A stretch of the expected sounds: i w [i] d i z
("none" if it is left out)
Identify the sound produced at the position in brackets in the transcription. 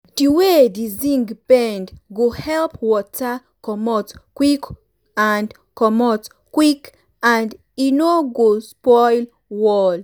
e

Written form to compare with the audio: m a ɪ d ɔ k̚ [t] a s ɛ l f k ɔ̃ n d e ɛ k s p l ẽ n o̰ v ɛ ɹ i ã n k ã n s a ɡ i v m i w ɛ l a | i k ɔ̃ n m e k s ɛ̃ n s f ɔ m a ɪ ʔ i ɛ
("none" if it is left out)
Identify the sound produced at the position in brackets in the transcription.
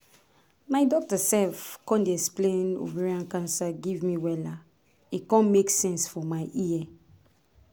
t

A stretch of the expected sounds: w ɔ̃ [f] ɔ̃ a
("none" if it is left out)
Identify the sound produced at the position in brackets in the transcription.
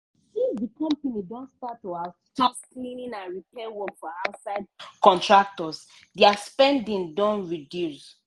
f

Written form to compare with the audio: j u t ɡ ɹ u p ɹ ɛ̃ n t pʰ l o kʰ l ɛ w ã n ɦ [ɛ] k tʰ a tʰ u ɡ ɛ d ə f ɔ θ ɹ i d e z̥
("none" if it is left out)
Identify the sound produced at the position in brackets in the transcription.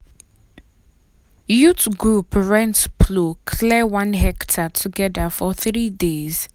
ɛ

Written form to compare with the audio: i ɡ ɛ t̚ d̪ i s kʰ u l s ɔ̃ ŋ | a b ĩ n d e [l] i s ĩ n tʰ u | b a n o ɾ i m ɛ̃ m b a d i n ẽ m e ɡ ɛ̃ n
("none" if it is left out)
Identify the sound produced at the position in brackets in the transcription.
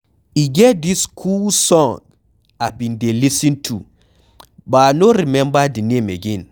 l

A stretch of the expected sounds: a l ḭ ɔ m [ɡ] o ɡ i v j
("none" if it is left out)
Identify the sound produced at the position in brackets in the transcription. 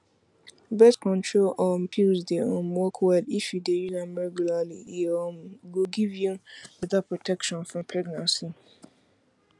ɡ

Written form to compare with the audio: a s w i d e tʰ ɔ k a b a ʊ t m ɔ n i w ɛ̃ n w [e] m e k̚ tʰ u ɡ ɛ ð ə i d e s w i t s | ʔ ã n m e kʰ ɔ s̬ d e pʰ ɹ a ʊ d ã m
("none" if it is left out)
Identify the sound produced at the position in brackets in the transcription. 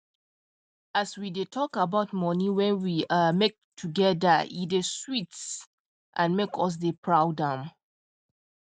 i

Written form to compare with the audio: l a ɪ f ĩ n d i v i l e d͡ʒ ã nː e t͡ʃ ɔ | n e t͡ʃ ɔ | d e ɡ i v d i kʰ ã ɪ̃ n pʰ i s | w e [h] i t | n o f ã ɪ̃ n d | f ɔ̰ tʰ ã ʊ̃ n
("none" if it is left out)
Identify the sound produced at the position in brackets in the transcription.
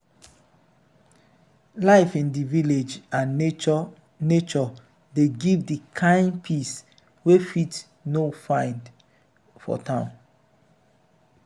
f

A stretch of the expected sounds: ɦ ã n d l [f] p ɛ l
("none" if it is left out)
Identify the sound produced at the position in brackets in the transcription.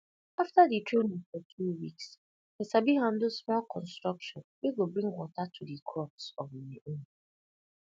s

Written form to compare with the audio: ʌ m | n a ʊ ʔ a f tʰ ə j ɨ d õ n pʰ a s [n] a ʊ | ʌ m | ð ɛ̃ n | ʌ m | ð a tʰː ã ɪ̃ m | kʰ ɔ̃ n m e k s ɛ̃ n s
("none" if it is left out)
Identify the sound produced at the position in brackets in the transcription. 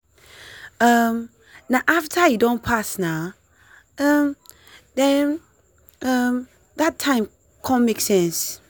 n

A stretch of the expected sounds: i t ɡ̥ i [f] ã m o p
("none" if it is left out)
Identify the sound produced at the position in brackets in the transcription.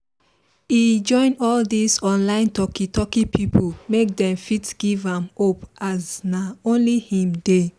v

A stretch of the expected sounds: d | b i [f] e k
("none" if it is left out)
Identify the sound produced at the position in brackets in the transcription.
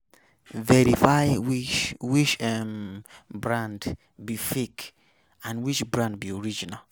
f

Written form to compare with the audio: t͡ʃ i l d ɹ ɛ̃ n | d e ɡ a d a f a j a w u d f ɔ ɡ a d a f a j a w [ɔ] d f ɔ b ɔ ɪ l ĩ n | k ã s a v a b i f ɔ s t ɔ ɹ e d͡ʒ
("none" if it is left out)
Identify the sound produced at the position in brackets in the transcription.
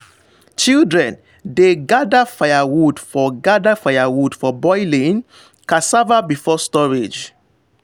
u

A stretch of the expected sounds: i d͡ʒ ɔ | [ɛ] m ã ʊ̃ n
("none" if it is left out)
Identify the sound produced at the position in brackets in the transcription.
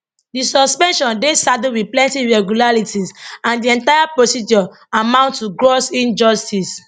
a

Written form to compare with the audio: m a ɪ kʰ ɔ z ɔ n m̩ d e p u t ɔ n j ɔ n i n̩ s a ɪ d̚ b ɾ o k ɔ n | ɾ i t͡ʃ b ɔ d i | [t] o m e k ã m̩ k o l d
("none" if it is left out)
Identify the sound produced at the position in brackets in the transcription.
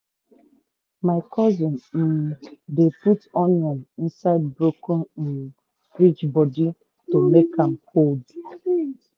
t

